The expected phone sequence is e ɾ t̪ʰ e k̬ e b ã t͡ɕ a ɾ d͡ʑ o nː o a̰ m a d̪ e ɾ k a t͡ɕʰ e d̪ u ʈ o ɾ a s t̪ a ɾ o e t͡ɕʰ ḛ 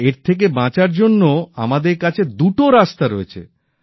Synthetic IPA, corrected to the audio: e ɾ t̪ʰ e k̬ e b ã t͡ɕ a ɾ d͡ʑ o nː o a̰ m a d̪ e ɾ k a t͡ɕʰ e d̪ u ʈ o ɾ a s t̪ a ɾ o e t͡ɕʰ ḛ